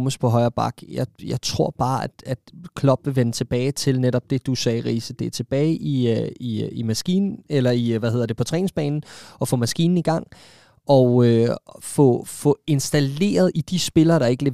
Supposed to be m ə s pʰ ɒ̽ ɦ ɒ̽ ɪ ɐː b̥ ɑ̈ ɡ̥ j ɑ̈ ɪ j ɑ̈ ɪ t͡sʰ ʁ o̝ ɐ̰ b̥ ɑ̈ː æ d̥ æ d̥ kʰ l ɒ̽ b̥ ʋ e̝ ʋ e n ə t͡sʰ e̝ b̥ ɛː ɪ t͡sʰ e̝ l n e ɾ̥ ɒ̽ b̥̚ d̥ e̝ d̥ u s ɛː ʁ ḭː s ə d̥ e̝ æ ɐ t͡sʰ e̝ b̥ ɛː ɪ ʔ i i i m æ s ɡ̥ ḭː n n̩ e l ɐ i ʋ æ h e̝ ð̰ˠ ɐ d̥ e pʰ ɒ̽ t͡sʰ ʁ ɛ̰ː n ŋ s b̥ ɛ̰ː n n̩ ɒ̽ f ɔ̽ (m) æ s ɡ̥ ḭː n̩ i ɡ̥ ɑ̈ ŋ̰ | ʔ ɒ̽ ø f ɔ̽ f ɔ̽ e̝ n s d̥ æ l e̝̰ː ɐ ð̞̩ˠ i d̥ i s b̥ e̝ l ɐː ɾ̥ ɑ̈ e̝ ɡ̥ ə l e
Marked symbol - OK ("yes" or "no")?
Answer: yes